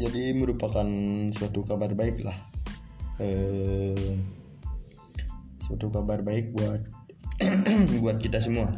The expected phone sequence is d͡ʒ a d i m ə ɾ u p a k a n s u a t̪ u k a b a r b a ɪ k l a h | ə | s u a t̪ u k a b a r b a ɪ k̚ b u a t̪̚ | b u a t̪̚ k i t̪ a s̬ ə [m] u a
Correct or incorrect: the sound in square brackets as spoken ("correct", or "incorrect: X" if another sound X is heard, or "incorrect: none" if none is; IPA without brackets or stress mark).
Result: correct